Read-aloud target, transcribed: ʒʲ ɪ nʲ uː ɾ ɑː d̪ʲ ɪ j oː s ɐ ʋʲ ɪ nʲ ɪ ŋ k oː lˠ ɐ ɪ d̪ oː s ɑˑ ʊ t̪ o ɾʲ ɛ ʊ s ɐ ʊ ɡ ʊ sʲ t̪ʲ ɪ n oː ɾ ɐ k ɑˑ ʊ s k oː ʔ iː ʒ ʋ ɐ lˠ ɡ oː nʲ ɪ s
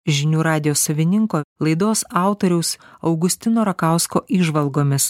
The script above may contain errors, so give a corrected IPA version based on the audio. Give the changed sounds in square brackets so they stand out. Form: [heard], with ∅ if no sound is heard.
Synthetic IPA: ʒʲ ɪ nʲ uː ɾ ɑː d̪ʲ ɪ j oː s ɐ ʋʲ ɪ nʲ ɪ ŋ k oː lˠ ɐ ɪ d̪ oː s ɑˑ ʊ t̪ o ɾʲ ɛ ʊ s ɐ ʊ ɡ ʊ sʲ t̪ʲ ɪ n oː ɾ ɐ k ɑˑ ʊ s k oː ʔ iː ʒ ʋ ɐ lˠ ɡ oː [mʲ] ɪ s